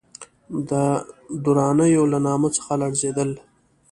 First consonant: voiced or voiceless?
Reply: voiced